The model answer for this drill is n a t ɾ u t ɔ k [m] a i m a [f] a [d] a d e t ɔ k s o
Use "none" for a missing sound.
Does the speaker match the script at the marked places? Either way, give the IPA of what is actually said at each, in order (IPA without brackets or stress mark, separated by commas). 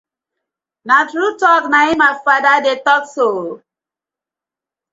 n, f, d